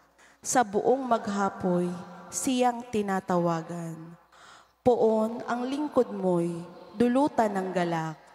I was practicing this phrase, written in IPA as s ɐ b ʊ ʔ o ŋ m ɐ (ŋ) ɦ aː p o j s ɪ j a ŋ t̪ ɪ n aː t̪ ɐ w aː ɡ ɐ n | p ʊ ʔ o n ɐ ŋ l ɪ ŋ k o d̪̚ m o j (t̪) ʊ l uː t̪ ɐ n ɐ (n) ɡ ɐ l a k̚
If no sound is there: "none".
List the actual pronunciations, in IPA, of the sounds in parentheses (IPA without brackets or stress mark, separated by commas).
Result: ɡ, d̪, ŋ